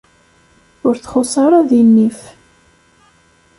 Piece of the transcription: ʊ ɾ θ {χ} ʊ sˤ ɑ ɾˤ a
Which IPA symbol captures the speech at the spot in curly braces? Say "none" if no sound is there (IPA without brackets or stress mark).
χ